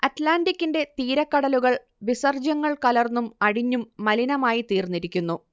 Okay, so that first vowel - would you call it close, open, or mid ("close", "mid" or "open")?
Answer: open